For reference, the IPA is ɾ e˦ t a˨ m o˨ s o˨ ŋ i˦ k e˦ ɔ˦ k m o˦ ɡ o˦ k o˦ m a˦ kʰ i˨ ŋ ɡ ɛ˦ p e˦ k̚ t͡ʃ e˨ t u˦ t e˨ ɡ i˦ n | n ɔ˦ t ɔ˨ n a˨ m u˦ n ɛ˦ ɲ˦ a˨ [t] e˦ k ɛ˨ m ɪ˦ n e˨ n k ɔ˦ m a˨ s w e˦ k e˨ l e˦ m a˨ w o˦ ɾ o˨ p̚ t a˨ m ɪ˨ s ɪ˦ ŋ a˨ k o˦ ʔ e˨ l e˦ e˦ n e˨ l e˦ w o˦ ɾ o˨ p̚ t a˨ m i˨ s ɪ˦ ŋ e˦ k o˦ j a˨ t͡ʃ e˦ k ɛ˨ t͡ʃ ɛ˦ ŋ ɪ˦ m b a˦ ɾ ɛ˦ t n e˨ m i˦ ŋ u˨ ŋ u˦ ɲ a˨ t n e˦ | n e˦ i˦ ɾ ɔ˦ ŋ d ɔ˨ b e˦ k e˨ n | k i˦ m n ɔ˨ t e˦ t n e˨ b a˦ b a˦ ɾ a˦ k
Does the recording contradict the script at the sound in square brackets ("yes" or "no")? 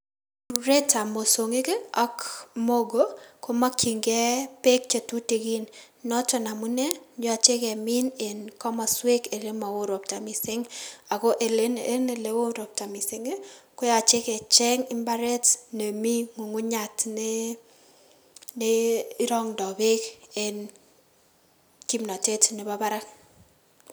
yes